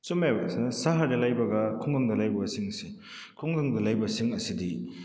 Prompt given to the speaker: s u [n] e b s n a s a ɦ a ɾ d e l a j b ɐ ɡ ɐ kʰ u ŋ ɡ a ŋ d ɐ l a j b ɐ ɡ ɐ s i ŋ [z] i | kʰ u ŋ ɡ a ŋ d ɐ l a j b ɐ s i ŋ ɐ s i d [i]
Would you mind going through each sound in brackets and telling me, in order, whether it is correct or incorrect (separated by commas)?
incorrect, incorrect, correct